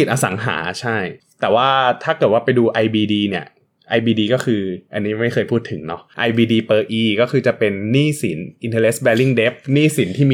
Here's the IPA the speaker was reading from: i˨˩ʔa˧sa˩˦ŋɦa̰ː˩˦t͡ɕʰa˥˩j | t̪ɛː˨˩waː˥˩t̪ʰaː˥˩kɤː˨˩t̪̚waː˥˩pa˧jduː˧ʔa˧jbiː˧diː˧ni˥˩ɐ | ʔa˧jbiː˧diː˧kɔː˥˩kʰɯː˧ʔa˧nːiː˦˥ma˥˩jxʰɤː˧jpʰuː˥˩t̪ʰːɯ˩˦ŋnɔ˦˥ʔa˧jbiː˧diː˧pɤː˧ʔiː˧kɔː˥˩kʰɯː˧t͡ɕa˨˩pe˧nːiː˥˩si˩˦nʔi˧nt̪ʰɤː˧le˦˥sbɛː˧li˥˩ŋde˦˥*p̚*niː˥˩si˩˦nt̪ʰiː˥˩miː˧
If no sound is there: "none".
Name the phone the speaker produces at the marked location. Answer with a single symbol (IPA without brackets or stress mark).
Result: p̚